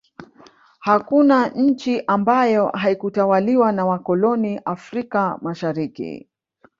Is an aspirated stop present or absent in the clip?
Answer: absent